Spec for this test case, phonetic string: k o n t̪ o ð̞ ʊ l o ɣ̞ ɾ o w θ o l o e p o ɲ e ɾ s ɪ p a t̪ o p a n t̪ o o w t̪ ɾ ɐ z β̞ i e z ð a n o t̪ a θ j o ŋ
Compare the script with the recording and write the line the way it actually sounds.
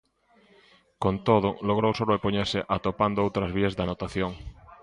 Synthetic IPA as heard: k o n t̪ o ð̞ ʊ l o ɣ̞ ɾ o w s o l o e p o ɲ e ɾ s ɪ ʔ a t̪ o p a n d̪ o o w t̪ ɾ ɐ z β̞ i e z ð a n o t̪ a θ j o ŋ